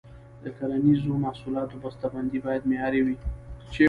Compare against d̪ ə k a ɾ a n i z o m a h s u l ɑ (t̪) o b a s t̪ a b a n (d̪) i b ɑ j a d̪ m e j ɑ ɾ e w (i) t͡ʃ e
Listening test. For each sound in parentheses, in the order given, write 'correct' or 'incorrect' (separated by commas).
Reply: correct, correct, correct